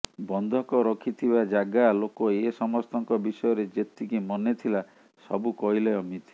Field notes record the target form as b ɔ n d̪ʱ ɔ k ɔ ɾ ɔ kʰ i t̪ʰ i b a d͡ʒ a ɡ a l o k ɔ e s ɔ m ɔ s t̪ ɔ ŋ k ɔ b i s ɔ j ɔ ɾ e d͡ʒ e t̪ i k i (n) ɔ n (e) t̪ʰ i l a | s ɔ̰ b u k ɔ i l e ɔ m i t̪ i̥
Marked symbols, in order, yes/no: no, yes

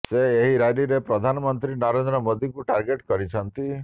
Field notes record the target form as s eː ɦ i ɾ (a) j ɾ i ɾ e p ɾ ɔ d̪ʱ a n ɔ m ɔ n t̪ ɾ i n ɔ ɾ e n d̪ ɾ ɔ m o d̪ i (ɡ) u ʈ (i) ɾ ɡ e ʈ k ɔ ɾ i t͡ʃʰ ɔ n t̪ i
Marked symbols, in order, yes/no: yes, no, no

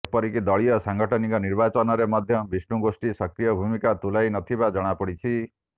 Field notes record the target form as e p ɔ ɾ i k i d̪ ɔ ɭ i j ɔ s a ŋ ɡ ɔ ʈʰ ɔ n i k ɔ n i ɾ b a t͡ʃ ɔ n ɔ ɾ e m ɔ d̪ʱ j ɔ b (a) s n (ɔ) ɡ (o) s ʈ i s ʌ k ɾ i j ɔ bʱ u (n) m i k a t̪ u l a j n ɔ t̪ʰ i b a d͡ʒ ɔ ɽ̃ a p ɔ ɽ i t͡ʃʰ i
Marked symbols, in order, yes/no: no, no, yes, no

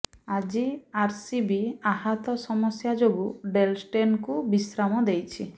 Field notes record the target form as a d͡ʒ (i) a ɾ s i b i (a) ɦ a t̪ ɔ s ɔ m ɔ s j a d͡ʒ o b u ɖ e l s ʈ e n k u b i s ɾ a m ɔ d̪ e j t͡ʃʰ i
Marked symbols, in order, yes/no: yes, yes

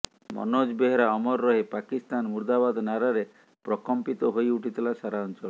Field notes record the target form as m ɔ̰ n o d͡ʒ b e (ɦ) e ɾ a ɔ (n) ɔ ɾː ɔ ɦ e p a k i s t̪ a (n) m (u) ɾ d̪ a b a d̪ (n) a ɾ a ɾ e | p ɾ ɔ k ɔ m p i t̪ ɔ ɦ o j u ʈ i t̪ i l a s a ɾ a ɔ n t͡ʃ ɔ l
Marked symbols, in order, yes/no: yes, no, yes, yes, yes

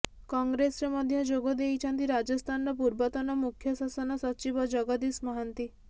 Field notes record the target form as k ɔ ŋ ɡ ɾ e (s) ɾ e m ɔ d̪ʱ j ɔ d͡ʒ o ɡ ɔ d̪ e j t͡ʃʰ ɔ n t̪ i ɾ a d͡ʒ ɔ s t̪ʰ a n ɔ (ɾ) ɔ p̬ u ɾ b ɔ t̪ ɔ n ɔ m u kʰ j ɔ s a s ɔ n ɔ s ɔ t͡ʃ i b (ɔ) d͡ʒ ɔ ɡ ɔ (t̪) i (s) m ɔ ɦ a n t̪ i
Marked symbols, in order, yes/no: yes, yes, yes, no, yes

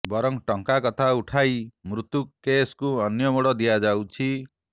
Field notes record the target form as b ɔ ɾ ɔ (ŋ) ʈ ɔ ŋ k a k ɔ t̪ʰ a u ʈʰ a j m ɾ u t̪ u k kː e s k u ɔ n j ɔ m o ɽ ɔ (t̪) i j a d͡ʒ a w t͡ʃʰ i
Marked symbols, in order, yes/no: yes, no

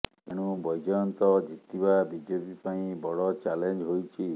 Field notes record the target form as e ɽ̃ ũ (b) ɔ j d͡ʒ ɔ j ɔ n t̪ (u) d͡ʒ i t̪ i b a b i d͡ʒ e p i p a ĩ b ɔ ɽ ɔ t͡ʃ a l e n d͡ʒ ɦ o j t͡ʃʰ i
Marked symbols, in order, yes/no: yes, no

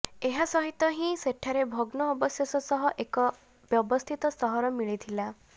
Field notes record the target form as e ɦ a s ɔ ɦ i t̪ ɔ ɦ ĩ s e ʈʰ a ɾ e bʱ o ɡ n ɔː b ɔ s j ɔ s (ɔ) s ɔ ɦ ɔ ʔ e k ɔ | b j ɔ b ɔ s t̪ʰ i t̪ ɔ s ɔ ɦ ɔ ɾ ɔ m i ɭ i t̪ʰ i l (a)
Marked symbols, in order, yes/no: yes, yes

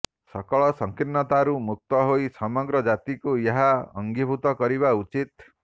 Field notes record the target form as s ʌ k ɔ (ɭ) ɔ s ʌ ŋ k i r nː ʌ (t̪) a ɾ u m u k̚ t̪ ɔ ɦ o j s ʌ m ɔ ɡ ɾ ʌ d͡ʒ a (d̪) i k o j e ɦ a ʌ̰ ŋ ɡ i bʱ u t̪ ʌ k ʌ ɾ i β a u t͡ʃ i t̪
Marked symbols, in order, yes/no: yes, yes, no

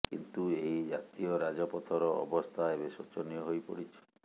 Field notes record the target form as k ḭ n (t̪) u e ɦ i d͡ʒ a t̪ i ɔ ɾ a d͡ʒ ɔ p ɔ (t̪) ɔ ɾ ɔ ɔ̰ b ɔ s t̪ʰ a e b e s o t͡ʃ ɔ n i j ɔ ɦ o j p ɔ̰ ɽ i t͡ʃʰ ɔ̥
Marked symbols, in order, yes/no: yes, no

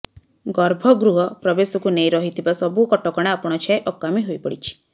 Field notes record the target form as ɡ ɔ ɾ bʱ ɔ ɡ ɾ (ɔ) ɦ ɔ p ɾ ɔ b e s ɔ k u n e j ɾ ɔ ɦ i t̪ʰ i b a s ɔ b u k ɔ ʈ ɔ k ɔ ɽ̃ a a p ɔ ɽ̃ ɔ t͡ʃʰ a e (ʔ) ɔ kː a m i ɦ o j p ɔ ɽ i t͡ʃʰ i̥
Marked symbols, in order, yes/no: no, yes

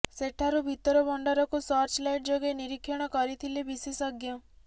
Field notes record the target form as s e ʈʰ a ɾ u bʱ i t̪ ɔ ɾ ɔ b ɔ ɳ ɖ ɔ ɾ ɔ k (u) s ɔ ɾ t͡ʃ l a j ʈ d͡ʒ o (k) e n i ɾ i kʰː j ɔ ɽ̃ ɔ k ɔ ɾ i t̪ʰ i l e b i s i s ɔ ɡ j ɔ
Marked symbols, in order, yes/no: yes, no

